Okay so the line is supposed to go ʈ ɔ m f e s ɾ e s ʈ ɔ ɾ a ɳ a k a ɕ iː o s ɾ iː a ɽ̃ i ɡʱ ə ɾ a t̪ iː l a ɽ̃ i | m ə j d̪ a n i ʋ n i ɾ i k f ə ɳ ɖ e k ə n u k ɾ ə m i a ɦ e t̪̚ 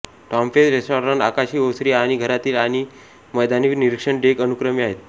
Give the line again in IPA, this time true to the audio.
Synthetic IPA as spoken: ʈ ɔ m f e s ɾ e s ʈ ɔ ɾ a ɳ a k a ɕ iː o s ɾ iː a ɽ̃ i ɡʱ ə ɾ a t̪ iː l a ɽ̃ i | m ə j d̪ a n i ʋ n i ɾ i k ʂ ə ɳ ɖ e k ə n u k ɾ ə m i a ɦ e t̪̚